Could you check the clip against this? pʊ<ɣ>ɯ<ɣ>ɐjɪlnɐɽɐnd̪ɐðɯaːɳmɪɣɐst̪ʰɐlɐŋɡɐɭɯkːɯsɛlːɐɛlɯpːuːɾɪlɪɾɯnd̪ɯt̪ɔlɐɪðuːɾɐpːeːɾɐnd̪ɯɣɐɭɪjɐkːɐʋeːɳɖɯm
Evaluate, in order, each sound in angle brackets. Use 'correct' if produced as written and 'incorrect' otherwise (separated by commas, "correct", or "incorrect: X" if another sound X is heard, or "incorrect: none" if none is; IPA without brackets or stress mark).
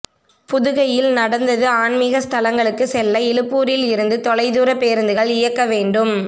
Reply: incorrect: ð, correct